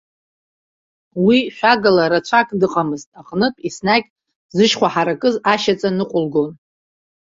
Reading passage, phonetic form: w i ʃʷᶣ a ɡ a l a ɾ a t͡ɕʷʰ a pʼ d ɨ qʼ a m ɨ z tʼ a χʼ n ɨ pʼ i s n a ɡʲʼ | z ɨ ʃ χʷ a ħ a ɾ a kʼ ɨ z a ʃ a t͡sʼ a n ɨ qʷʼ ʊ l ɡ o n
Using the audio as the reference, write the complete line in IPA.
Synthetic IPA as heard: w i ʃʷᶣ a ɡ a l a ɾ a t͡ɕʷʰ a kʼ d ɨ qʼ a m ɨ z tʼ a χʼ n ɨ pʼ i s n a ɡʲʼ | z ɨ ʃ χʷ a ħ a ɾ a kʼ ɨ z a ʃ a t͡sʼ a n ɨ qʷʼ ʊ l ɡ o n